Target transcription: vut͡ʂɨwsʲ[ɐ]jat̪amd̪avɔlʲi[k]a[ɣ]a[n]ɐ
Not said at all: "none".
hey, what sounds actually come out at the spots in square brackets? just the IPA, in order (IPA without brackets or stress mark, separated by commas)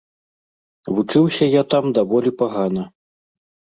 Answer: ɐ, p, ɣ, n